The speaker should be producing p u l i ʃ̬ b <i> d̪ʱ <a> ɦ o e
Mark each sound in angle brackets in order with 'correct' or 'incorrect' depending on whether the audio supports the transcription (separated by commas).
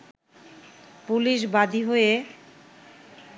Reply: incorrect, incorrect